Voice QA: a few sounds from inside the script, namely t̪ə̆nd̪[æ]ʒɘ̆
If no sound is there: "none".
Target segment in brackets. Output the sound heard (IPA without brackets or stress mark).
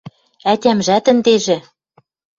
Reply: e